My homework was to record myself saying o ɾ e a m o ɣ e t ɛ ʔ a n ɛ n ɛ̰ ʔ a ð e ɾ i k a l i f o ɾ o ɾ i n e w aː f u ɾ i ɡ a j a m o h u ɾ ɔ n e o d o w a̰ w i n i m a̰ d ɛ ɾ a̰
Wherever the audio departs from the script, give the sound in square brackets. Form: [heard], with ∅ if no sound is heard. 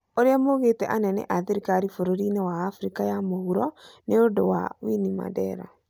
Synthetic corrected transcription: o ɾ e a m o ɣ e t ɛ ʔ a n ɛ n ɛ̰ ʔ a ð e ɾ i k a [ɾ] i f o ɾ o ɾ i n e w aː f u ɾ i [k] a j a m o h u ɾ ɔ n e o d o w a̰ w i n i m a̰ d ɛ ɾ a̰